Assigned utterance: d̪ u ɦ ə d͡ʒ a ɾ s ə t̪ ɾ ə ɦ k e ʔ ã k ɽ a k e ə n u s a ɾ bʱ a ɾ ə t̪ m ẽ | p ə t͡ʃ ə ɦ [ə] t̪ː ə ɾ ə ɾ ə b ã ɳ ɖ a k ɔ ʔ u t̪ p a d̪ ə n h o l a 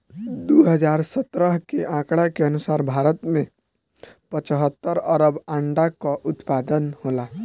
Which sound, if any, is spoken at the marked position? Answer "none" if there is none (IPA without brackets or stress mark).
ə